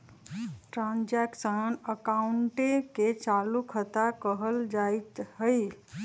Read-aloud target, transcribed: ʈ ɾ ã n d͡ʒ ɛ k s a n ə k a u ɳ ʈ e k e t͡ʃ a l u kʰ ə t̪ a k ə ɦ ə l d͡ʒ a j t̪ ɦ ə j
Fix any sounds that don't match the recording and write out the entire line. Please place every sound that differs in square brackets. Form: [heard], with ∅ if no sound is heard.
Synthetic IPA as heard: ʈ ɾ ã n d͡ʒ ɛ k s [ə] n ə k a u ɳ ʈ e k e t͡ʃ a l u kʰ ə t̪ a k ə ɦ ə l d͡ʒ a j t̪ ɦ ə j